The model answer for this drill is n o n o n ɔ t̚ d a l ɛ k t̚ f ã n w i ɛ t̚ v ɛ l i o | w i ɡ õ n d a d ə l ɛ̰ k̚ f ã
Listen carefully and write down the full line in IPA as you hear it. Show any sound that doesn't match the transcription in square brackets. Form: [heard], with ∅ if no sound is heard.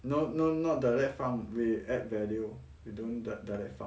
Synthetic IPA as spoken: n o n o n ɔ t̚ d a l ɛ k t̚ f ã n w i ɛ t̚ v ɛ l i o | w i [d] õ n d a d [a] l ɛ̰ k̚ f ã